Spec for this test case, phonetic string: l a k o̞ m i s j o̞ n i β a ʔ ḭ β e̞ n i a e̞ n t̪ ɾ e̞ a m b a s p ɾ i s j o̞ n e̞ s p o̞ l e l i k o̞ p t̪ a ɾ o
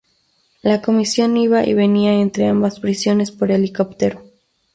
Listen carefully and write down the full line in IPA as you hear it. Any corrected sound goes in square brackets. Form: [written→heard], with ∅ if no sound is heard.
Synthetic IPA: l a k o̞ m i s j o̞ n i β a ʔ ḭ β e̞ n i a e̞ n t̪ ɾ e̞ a m b a s p ɾ i s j o̞ n e̞ s p o̞ [l→ɾ] e l i k o̞ p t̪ [a→e] ɾ o

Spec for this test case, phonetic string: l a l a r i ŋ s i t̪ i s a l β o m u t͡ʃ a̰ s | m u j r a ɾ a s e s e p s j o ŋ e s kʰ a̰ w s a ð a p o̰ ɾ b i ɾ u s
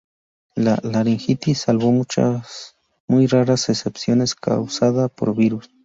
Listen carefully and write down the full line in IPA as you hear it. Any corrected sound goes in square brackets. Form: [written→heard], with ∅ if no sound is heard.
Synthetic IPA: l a l a [r→ɾ] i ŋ [s→x] i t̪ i s a l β o m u t͡ʃ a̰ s | m u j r a ɾ a s e s e p s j o [ŋ→n] e s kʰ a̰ w s a ð a p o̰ ɾ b i ɾ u s

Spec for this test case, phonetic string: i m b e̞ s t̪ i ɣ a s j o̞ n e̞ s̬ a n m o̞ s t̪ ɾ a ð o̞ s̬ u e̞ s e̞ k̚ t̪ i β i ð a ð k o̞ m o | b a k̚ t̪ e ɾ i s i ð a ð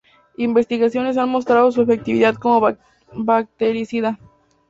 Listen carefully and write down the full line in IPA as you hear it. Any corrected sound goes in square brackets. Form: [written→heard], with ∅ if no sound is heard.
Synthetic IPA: i m b e̞ s t̪ i ɣ a s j o̞ n e̞ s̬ a n m o̞ s t̪ ɾ a ð o̞ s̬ u e̞ [s→f] e̞ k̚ t̪ i β i ð a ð k o̞ m o | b a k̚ t̪ e ɾ i s i ð a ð

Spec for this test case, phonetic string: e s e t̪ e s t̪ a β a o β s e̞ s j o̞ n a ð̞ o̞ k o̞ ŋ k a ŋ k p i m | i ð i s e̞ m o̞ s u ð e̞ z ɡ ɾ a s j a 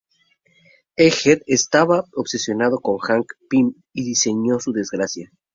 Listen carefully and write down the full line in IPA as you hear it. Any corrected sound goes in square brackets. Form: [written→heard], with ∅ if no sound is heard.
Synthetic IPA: e [s→x] e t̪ e s t̪ a β a o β s e̞ s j o̞ n a ð̞ o̞ k o̞ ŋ [k→x] a ŋ k p i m | i ð i s e̞ [m→ɲ] o̞ s u ð e̞ z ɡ ɾ a s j a

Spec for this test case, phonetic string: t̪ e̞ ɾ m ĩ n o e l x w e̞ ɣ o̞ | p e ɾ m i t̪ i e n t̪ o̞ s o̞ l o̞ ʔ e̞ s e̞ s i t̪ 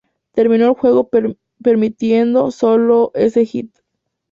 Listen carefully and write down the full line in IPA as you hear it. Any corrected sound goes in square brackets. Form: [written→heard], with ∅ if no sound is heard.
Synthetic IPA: t̪ e̞ ɾ m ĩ n o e l x w e̞ ɣ o̞ | p e ɾ m i t̪ [i→j] e n [t̪→d̪] o̞ s o̞ l o̞ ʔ e̞ s e̞ [s→x] i t̪

